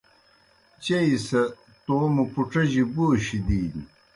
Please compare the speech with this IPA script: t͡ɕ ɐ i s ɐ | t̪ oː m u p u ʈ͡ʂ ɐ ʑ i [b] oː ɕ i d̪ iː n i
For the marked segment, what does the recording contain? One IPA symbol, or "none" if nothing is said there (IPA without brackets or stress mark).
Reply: b